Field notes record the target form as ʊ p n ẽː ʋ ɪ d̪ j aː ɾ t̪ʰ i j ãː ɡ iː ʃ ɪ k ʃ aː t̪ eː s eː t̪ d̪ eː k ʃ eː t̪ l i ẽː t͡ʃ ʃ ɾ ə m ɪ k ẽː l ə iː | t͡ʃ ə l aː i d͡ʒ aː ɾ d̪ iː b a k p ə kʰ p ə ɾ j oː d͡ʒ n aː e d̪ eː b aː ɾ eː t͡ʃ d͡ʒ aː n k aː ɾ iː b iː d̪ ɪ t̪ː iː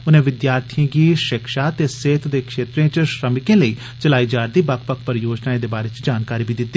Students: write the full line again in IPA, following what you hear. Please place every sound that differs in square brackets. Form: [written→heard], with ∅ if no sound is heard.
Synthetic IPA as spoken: ʊ [p→∅] n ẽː ʋ ɪ d̪ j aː ɾ t̪ʰ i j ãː ɡ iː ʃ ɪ k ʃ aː t̪ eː s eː t̪ d̪ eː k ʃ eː t̪ [l→ɾ] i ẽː t͡ʃ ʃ ɾ ə m ɪ k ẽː l ə iː | t͡ʃ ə l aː i d͡ʒ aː ɾ d̪ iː b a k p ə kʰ p ə ɾ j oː d͡ʒ n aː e d̪ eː b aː ɾ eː t͡ʃ d͡ʒ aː n k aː ɾ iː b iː d̪ ɪ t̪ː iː